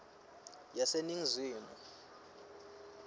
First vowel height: low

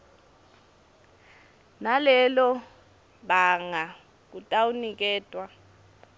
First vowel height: low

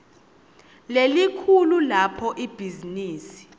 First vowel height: mid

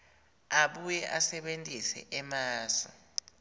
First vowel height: low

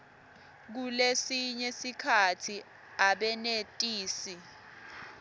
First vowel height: high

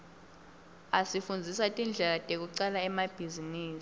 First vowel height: low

